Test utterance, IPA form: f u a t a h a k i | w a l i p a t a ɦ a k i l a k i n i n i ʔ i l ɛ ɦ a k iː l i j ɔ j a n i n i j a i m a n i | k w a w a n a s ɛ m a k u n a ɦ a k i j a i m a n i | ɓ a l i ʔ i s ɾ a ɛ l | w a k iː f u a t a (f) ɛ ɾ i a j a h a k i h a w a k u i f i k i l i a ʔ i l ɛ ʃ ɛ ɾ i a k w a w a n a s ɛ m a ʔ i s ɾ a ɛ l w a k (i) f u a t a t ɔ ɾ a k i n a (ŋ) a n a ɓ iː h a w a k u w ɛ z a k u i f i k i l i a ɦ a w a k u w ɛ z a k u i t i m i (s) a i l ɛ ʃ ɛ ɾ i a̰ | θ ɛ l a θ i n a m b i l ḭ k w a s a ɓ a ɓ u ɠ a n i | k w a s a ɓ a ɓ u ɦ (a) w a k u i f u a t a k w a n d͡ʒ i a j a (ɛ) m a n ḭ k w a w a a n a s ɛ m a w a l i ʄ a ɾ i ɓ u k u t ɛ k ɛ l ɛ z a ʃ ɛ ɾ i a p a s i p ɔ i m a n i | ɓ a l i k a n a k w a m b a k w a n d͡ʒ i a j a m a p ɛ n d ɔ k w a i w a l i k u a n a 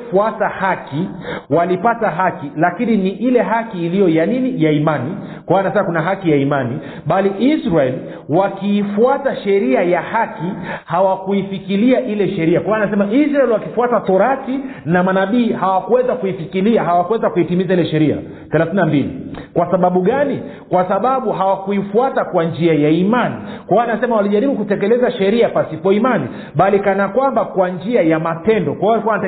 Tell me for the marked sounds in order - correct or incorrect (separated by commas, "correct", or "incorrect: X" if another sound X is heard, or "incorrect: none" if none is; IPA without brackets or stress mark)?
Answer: incorrect: ʃ, correct, incorrect: m, incorrect: z, correct, incorrect: i